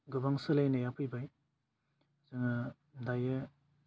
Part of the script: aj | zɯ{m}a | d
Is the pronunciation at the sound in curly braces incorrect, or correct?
incorrect